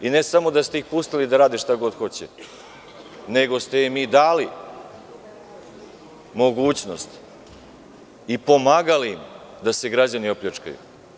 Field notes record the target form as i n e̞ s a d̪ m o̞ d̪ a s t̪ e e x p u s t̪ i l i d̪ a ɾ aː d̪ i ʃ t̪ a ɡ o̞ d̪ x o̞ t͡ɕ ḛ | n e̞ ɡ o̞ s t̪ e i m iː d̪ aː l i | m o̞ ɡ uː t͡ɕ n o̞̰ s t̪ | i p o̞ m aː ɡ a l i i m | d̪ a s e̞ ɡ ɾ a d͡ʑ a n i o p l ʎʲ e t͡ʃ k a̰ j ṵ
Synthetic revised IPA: i n e̞ s a m o̞ d̪ a s t̪ e i x p u s t̪ i l i d̪ a ɾ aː d̪ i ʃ t̪ a ɡ o̞ d̪ x o̞ t͡ɕ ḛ | n e̞ ɡ o̞ s t̪ e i m iː d̪ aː l i | m o̞ ɡ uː t͡ɕ n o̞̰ s t̪ | i p o̞ m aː ɡ a l i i m | d̪ a s e̞ ɡ ɾ a d͡ʑ a n i o p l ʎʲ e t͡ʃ k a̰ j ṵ